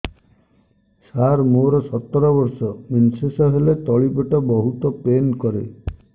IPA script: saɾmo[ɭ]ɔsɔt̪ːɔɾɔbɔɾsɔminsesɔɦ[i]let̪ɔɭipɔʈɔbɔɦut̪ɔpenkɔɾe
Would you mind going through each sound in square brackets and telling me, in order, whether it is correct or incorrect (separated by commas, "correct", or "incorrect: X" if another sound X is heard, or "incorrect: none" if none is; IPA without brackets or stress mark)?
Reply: incorrect: ɾ, incorrect: e